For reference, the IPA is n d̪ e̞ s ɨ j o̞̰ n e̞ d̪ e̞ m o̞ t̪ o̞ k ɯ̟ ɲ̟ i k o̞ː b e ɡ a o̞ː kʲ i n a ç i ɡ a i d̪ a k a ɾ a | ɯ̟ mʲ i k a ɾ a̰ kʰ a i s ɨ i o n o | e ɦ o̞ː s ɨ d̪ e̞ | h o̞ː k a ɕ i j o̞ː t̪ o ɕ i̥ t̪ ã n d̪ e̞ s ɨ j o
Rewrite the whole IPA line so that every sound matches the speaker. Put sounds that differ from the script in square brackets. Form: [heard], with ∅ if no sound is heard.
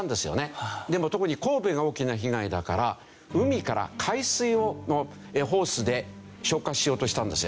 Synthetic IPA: n d̪ e̞ s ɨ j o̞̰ n e̞ d̪ e̞ m o̞ t̪ o̞ k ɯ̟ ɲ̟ i k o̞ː b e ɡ a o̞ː kʲ i n a ç i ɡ a i d̪ a k a ɾ a | ɯ̟ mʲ i k a ɾ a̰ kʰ a i s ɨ i o n o | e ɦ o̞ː s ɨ d̪ e̞ | [ɕ] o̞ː k a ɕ i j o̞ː t̪ o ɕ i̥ t̪ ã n d̪ e̞ s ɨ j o